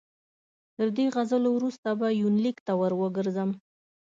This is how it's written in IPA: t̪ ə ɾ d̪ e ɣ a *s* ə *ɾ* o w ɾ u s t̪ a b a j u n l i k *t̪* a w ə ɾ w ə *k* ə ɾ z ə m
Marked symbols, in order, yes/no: no, no, yes, no

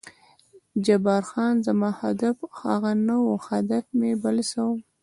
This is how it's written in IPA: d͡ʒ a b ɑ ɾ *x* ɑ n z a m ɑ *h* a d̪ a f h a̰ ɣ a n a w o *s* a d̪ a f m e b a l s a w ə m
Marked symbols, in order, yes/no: yes, yes, no

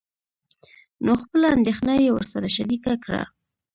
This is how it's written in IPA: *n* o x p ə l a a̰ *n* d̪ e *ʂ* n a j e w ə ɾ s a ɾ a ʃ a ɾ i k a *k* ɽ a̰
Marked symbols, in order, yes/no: yes, yes, no, yes

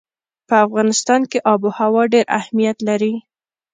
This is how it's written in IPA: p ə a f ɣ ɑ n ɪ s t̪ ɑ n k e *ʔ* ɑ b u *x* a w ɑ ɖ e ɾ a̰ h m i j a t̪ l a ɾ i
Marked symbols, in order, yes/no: yes, no

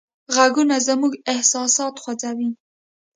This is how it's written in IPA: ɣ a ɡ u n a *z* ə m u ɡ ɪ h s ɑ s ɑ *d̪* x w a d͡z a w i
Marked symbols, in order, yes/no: yes, no

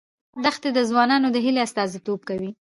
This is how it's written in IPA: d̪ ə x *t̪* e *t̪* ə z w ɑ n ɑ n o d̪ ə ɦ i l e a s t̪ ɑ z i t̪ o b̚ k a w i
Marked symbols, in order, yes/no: yes, no

